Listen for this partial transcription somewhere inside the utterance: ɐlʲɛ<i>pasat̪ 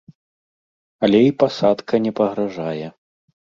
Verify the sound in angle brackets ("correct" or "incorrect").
correct